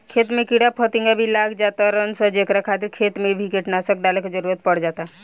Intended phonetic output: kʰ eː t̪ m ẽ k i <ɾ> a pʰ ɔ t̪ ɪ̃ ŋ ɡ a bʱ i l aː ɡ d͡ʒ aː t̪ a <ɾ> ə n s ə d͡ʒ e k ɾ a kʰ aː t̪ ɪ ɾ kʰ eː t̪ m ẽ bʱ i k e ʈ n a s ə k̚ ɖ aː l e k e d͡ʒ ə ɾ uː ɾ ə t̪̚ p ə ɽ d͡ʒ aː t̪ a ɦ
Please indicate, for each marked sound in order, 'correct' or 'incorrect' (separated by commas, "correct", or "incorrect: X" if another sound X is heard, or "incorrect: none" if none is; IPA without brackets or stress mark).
incorrect: ɽ, correct